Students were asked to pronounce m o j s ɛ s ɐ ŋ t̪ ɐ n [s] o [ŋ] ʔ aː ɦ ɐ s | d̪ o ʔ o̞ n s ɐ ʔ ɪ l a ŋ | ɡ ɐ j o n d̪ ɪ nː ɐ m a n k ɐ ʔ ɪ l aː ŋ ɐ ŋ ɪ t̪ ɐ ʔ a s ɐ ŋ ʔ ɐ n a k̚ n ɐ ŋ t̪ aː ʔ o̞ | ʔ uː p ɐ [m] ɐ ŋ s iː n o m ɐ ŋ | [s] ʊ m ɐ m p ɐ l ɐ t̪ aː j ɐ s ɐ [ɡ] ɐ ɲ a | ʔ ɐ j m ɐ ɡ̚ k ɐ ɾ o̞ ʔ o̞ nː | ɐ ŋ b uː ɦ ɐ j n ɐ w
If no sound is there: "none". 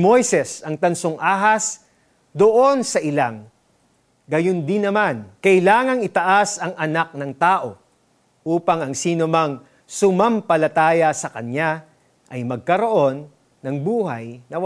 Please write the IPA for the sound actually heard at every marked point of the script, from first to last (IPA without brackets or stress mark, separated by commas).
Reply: s, ŋ, ŋ, s, k